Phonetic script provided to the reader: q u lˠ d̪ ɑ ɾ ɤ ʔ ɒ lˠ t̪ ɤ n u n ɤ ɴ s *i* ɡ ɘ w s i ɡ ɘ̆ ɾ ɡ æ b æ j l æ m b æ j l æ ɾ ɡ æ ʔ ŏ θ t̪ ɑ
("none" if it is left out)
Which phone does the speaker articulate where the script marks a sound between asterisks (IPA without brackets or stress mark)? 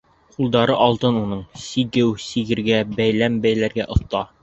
i